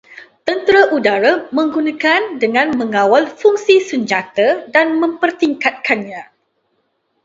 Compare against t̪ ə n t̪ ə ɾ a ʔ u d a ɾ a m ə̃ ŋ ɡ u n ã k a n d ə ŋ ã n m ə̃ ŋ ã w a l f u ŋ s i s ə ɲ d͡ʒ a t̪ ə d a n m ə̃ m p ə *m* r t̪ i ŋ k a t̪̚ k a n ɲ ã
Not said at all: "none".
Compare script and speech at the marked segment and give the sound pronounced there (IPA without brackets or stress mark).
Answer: none